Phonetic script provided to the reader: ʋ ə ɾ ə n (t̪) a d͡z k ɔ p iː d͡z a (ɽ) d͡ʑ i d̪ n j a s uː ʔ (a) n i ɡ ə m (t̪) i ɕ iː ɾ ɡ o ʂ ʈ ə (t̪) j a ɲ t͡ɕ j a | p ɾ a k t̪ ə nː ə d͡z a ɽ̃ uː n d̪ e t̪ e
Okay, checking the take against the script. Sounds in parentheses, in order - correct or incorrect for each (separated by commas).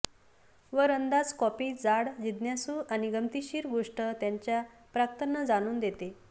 incorrect, correct, correct, correct, correct